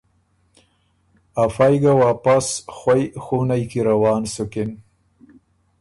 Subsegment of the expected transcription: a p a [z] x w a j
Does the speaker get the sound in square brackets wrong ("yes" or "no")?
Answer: yes